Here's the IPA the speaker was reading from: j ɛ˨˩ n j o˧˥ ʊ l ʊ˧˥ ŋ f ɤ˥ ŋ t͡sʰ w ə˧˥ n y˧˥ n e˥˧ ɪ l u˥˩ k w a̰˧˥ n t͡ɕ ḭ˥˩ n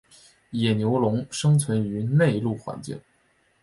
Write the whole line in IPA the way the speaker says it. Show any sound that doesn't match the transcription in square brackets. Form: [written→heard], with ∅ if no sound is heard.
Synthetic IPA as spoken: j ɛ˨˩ n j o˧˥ ʊ l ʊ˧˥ ŋ [f→ʂ] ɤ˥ ŋ t͡sʰ w ə˧˥ n y˧˥ n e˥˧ ɪ l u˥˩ [k→x] w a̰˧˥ n t͡ɕ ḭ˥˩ [n→ŋ]